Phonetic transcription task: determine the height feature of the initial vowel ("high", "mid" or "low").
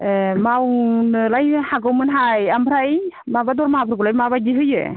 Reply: low